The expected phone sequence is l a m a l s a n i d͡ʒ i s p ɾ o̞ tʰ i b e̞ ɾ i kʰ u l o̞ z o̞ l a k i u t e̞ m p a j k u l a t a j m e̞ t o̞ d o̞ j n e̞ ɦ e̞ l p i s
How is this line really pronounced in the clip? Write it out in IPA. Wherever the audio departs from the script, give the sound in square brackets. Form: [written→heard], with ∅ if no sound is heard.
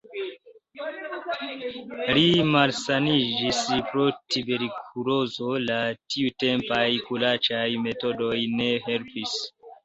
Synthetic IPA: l [a→i] m a l s a n i d͡ʒ i s p ɾ o̞ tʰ i b e̞ ɾ i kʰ u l o̞ z o̞ l a [k→t] i u t e̞ m p a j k u l a [t→t͡ʃ] a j m e̞ t o̞ d o̞ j n e̞ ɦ e̞ l p i s